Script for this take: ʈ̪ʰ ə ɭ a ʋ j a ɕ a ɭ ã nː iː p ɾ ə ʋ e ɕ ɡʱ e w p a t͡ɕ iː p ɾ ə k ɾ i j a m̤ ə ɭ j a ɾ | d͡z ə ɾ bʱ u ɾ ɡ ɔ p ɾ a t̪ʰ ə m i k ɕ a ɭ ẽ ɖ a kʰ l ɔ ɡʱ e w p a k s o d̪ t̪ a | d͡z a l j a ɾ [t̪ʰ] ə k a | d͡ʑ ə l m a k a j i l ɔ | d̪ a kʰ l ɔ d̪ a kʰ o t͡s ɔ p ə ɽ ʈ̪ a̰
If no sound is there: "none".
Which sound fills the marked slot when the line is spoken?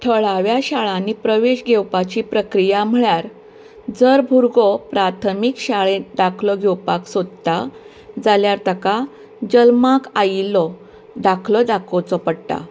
t̪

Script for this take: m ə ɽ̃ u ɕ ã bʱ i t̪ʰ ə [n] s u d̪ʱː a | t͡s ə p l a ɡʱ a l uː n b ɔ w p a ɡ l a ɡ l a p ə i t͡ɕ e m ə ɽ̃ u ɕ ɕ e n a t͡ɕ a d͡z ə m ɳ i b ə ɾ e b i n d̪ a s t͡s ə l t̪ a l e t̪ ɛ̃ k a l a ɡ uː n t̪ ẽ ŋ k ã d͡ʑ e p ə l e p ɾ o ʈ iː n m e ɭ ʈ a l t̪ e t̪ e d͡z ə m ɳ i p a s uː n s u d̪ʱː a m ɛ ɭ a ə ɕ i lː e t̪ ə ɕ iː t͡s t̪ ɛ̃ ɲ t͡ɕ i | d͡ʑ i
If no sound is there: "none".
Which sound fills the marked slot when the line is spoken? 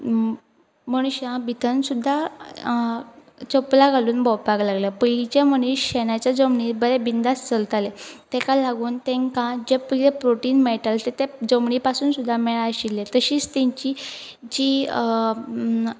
n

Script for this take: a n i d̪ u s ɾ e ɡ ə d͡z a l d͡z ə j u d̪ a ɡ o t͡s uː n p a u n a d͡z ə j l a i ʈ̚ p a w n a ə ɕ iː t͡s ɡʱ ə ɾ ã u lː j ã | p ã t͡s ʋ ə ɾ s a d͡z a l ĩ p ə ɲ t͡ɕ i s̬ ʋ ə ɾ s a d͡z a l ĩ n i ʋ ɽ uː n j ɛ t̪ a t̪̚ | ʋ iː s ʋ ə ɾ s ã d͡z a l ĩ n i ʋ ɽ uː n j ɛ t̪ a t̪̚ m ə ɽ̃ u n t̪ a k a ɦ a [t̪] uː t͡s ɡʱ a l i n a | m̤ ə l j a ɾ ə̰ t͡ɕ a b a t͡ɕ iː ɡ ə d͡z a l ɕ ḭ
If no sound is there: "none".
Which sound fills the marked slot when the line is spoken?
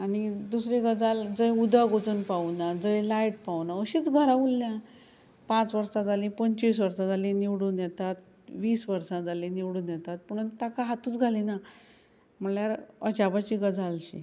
t̪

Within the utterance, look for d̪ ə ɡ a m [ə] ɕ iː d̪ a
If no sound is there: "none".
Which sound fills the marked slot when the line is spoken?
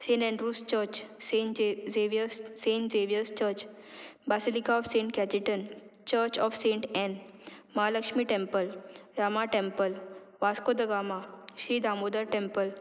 a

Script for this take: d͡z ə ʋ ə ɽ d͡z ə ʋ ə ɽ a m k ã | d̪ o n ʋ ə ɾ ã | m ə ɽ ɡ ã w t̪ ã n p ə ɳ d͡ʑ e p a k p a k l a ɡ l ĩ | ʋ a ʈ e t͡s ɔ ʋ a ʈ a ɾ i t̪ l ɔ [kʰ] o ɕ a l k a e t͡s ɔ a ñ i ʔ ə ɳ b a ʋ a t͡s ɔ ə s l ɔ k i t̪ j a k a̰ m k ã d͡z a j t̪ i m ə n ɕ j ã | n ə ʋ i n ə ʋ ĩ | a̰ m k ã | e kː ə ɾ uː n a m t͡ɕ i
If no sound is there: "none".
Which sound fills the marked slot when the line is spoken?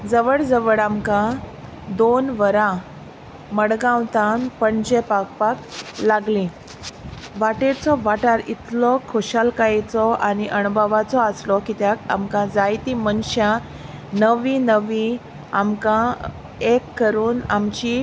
kʰ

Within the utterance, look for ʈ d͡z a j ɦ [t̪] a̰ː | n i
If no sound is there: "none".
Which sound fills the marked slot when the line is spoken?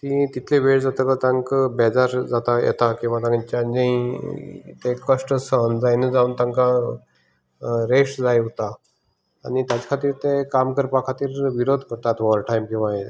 t̪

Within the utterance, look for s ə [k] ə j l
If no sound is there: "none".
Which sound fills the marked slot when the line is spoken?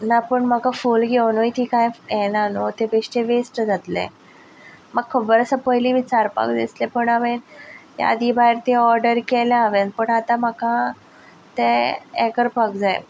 p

